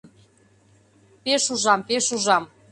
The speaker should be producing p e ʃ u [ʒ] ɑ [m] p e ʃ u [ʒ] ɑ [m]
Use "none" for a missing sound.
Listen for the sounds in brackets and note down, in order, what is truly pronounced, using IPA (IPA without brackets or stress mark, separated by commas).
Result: ʒ, m, ʒ, m